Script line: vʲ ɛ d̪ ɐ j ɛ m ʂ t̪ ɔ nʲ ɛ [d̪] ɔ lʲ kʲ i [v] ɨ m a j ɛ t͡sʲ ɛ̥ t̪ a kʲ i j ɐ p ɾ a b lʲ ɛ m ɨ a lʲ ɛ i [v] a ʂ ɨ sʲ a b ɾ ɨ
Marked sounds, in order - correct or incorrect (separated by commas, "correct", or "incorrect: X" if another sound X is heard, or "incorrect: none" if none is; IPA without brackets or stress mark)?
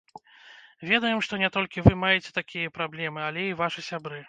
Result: incorrect: t̪, correct, correct